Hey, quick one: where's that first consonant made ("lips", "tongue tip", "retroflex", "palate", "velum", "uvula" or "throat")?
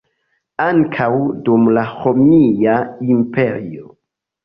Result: velum